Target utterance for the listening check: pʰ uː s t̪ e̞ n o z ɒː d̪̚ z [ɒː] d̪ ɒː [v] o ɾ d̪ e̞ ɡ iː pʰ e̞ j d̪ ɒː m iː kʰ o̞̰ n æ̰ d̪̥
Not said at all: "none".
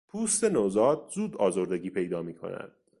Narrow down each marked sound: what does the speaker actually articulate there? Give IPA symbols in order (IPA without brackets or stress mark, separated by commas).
uː, z